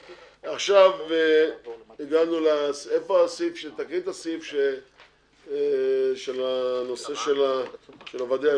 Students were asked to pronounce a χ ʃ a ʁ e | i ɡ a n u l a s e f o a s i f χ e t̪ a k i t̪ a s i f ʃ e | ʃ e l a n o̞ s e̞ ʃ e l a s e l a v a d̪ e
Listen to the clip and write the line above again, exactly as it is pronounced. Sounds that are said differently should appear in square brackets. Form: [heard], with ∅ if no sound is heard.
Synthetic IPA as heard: a χ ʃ a [v] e | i ɡ a n u l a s e f o a s i f [ʃ] e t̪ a k i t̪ a s i f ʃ e | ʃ e l a n o̞ s e̞ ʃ e l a [ʃ] e l a v a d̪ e